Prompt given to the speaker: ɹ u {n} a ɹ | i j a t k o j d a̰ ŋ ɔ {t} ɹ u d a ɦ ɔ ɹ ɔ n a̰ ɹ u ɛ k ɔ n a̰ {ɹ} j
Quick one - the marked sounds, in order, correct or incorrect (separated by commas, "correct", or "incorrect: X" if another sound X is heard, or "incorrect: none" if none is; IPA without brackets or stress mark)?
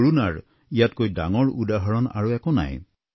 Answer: correct, incorrect: none, incorrect: none